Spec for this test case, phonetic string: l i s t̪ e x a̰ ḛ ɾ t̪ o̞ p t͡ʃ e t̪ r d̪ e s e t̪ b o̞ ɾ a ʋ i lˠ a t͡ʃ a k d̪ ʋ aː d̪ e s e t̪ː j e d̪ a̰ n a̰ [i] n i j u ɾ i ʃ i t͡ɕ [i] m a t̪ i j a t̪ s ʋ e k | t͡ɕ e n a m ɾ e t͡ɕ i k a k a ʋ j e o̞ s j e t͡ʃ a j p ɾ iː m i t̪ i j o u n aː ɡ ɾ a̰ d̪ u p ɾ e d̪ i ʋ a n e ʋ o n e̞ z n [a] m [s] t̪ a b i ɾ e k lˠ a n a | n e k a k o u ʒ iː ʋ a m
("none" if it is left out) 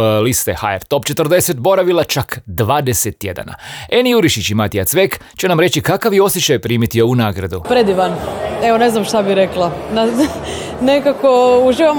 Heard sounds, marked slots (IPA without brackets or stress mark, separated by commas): e, i, a, ʃ